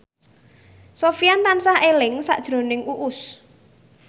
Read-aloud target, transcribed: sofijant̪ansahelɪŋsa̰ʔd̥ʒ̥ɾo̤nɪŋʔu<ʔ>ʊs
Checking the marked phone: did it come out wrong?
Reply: no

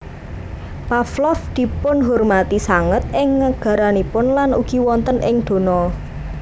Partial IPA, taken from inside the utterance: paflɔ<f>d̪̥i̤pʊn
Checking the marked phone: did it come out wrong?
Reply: no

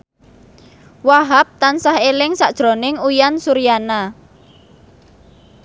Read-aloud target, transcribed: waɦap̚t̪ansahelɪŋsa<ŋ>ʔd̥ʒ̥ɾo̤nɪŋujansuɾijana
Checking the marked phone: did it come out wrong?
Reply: yes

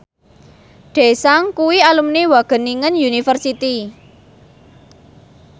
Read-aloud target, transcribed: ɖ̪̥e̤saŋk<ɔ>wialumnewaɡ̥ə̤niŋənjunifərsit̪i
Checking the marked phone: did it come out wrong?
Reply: yes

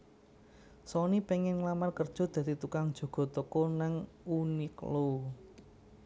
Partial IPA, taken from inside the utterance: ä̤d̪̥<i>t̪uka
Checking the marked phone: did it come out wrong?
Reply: no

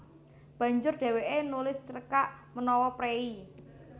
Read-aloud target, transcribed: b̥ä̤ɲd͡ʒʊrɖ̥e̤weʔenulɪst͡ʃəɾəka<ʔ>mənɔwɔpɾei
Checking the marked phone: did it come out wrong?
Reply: no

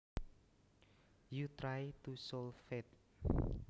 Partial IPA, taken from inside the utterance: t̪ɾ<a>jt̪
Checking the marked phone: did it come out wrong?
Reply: no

